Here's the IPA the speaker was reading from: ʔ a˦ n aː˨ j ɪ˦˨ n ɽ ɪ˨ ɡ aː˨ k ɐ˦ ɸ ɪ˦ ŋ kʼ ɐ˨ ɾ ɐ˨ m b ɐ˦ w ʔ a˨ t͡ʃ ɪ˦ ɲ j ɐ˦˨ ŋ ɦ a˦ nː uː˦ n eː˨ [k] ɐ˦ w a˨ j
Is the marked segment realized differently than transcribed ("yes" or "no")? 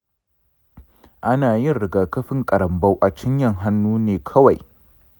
yes